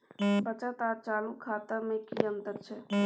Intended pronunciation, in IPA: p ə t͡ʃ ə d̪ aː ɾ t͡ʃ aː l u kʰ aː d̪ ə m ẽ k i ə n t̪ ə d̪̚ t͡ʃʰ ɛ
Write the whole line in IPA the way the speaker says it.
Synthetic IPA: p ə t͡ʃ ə t̪ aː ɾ t͡ʃ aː l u kʰ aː t̪ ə m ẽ k i ə n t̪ ə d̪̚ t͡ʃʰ ɛ